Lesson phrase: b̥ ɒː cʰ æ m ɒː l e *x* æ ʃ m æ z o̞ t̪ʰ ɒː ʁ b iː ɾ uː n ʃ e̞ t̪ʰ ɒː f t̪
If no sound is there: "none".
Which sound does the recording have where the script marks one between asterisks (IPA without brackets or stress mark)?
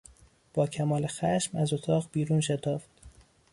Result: x